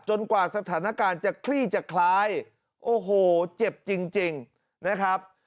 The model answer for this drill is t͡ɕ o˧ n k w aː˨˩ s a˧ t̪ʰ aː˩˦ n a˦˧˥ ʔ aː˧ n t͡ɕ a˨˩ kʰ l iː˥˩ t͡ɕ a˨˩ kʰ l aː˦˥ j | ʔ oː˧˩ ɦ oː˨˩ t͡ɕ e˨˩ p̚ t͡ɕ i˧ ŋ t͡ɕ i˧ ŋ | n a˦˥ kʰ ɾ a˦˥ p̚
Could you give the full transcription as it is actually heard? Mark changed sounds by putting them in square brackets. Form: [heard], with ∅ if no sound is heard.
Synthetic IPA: t͡ɕ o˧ n k w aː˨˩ s a˧ t̪ʰ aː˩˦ n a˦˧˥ [k] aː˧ n t͡ɕ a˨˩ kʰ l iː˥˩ t͡ɕ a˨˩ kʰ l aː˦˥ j | ʔ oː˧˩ ɦ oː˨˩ t͡ɕ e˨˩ p̚ t͡ɕ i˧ ŋ t͡ɕ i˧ ŋ | n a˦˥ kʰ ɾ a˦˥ p̚